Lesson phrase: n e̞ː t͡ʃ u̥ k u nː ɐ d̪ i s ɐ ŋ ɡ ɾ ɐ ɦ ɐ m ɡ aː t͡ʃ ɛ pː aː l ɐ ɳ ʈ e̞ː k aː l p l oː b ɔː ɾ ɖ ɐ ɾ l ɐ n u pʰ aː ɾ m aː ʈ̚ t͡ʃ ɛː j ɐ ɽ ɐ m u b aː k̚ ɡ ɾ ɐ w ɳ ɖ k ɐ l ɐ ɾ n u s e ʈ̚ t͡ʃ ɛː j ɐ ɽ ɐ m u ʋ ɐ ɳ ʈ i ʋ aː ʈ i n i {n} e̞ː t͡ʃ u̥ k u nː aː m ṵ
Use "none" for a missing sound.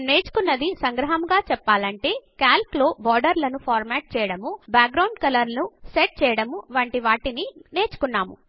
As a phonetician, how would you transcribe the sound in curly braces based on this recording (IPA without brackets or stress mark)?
n